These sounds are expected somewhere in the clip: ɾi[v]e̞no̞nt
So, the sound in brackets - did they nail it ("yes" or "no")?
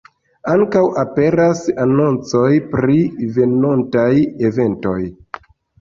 yes